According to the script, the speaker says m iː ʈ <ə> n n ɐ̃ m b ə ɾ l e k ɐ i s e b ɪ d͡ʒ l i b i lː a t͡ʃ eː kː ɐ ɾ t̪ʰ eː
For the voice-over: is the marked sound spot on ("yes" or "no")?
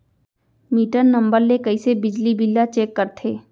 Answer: yes